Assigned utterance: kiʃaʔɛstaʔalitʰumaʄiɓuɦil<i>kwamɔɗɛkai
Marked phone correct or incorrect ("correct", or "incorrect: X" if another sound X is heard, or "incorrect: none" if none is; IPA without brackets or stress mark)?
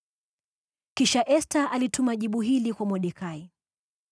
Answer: correct